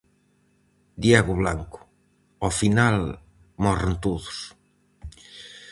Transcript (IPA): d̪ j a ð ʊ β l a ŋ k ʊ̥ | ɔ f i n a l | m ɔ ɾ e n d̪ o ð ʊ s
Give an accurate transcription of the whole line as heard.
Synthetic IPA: d̪ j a ɣ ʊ β l a ŋ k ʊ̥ | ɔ f i n a l | m ɔ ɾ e n t̪ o ð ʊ s